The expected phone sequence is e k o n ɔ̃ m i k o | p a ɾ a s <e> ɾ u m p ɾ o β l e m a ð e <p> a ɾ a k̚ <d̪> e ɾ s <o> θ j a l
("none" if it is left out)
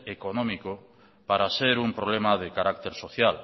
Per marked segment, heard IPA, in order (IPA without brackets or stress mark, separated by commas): e, k, t̪, o